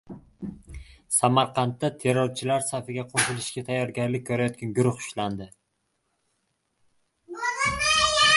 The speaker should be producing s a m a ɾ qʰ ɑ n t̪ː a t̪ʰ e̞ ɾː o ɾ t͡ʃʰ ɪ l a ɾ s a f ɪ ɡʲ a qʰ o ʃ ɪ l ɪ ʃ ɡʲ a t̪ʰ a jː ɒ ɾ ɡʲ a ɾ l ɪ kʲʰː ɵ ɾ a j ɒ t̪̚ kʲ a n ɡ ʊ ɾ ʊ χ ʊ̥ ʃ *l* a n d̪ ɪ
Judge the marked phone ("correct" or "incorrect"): correct